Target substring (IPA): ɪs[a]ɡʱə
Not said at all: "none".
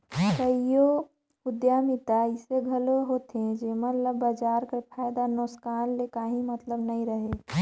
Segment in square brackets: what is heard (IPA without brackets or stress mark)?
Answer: e